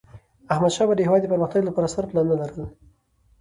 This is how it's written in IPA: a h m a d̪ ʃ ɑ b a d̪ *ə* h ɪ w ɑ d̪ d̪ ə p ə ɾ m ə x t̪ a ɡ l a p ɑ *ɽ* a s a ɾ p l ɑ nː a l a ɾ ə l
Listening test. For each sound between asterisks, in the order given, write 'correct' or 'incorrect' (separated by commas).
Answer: correct, incorrect